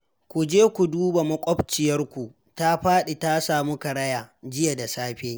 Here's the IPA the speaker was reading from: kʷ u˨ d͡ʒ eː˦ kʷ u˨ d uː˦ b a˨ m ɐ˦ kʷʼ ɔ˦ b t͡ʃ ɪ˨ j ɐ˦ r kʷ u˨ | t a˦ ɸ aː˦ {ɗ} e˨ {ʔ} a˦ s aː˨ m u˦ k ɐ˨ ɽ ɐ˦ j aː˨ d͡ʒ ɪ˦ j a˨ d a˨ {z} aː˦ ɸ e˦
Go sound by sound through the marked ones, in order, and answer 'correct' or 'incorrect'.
correct, incorrect: t, incorrect: s

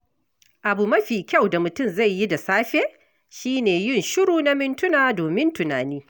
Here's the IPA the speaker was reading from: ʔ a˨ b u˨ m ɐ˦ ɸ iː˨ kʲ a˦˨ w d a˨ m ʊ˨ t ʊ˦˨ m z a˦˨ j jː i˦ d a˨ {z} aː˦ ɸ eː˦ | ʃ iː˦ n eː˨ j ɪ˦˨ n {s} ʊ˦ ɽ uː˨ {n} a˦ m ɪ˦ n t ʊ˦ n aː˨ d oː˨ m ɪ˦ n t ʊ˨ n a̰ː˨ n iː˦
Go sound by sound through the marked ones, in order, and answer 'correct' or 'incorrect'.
incorrect: s, incorrect: ʃ, correct

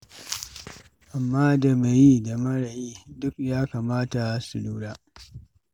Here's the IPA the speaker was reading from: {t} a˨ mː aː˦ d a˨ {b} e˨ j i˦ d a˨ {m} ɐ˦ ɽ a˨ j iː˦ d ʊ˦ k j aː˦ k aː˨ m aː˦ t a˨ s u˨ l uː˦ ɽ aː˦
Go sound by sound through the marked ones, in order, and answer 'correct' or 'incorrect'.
incorrect: ʔ, incorrect: m, correct

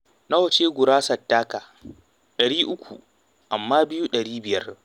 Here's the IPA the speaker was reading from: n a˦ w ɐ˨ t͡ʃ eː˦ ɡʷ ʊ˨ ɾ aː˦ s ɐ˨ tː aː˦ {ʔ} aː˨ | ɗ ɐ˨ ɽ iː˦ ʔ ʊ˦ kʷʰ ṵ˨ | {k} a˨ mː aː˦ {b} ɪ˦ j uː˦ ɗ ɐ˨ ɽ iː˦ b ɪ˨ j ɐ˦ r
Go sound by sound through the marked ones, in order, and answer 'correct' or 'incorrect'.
incorrect: k, incorrect: ʔ, correct

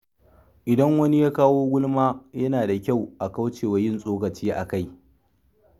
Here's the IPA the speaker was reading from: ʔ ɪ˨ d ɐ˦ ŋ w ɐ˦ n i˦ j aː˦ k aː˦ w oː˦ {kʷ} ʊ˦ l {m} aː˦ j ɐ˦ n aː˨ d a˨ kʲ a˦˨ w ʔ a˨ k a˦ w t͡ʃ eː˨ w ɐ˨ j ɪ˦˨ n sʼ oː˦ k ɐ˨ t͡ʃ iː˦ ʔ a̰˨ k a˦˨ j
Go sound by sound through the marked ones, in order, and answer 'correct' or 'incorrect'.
incorrect: ɡʷ, correct

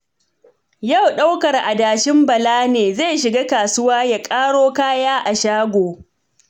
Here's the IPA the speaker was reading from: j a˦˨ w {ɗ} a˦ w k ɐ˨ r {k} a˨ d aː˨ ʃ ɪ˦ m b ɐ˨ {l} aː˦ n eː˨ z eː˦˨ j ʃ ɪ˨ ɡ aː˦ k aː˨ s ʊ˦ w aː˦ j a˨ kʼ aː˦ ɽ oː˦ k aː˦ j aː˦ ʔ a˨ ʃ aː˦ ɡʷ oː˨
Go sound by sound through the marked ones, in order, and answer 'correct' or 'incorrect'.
correct, incorrect: ʔ, correct

